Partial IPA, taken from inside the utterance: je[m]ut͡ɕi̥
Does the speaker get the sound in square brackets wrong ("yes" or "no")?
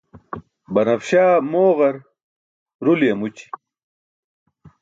no